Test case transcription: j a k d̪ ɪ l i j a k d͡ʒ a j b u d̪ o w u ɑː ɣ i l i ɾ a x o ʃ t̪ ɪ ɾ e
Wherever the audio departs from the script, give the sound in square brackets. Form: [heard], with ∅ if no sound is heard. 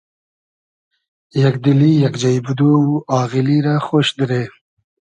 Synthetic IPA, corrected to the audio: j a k d̪ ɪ l i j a k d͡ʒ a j b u d̪ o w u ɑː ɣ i l i ɾ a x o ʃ [d̪] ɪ ɾ e

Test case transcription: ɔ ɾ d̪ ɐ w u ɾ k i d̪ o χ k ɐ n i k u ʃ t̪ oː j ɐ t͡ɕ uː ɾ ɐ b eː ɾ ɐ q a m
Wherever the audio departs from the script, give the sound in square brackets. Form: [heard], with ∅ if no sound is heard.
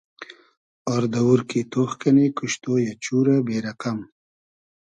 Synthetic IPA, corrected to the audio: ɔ ɾ d̪ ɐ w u ɾ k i [t̪] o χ k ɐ n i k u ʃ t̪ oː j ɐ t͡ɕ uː ɾ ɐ b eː ɾ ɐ q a m

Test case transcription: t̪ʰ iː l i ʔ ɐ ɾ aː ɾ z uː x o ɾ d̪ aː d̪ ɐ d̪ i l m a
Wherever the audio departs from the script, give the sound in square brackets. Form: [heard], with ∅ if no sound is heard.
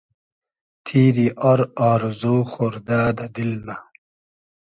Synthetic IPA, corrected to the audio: t̪ʰ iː [ɾ] i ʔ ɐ ɾ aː ɾ z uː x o ɾ d̪ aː d̪ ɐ d̪ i l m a

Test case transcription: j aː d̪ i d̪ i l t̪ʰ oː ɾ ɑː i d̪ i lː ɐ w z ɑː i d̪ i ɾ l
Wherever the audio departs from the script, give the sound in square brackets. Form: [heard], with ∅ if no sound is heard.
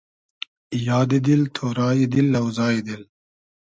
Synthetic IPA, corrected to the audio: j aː d̪ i d̪ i l t̪ʰ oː ɾ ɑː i d̪ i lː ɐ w z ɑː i d̪ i [∅] l

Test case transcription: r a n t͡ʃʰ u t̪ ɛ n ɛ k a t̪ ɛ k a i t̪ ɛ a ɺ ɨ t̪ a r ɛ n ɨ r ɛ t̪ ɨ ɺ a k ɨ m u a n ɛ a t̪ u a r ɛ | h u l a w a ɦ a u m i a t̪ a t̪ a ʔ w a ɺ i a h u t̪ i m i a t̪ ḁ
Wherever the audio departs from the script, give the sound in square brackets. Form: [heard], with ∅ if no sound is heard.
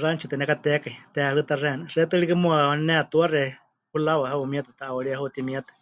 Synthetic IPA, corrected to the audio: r a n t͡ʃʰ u t̪ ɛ n ɛ k a t̪ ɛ k a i t̪ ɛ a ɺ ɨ t̪ a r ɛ n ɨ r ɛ t̪ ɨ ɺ [i] k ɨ m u a n ɛ a t̪ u a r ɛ | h u l a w a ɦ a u m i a t̪ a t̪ a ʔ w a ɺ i a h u t̪ i m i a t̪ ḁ

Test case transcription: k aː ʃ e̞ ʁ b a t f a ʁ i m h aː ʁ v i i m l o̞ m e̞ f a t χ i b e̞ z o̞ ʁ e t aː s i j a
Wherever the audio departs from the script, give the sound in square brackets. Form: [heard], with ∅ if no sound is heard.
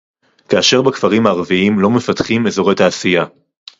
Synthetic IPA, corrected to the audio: k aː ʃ e̞ ʁ b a [k] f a ʁ i m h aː ʁ v i i m l o̞ m e̞ f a t χ i [m] e̞ z o̞ ʁ e t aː s i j a

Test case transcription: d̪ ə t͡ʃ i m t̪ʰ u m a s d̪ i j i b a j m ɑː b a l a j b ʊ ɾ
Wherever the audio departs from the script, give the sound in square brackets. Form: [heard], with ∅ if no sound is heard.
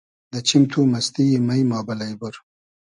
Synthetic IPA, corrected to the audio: d̪ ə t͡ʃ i m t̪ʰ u m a s [t̪] i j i [m] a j m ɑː b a l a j b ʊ ɾ

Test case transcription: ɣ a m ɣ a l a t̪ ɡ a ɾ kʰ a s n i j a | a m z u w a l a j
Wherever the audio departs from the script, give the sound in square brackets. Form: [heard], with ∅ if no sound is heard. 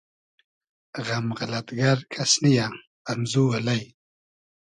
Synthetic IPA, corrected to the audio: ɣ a m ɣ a l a t̪ ɡ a ɾ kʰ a s n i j a | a m z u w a l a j

